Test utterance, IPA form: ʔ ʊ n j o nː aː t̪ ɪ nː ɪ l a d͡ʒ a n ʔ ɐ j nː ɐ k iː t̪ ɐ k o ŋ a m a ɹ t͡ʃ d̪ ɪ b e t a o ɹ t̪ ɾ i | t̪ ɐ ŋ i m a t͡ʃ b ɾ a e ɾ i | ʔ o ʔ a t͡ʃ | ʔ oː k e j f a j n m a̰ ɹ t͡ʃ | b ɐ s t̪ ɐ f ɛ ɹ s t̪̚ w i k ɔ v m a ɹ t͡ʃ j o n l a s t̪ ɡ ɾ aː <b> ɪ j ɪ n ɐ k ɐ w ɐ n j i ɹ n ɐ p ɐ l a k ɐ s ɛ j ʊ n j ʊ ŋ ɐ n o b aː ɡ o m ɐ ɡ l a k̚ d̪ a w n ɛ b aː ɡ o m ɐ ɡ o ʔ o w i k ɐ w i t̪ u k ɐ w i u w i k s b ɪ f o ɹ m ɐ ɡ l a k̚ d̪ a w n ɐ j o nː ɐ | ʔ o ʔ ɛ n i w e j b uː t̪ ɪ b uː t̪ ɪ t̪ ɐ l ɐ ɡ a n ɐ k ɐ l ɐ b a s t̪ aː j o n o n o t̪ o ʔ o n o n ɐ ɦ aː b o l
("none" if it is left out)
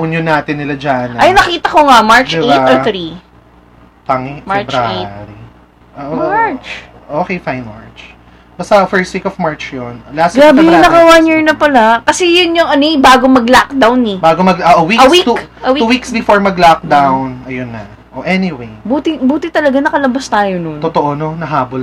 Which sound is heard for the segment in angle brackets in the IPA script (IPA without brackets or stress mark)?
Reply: b